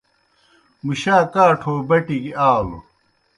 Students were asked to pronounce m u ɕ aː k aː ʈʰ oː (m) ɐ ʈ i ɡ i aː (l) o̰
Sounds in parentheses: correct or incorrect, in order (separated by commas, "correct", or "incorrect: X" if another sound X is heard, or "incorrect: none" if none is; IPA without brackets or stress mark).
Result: incorrect: b, correct